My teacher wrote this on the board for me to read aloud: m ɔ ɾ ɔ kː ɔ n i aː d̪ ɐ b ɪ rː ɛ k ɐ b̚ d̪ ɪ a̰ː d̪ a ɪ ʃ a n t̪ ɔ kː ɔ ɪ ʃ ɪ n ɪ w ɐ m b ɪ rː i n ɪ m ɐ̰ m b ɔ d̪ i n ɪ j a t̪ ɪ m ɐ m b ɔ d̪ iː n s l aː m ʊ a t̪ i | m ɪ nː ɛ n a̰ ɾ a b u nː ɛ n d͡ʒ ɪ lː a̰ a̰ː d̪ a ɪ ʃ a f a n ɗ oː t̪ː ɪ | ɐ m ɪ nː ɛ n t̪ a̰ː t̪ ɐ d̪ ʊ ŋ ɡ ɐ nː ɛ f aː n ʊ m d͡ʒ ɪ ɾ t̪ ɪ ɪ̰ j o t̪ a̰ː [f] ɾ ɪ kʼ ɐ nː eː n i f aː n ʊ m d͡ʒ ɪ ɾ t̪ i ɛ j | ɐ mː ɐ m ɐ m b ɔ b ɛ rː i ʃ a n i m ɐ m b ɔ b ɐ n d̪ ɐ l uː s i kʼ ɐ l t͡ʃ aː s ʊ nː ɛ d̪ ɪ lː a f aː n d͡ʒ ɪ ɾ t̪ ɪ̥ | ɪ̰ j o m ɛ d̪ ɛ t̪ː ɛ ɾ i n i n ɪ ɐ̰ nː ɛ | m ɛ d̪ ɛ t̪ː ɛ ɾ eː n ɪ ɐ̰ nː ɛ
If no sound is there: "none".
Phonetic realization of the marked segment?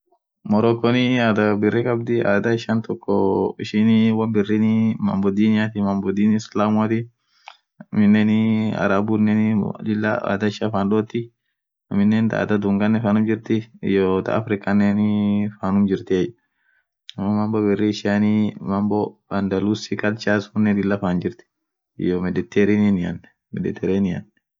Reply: f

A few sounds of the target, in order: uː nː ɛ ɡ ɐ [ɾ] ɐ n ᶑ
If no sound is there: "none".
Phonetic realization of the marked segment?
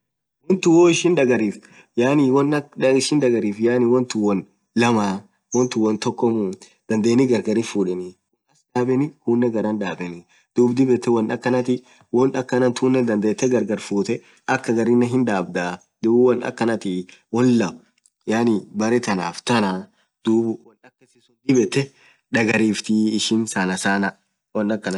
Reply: ɾ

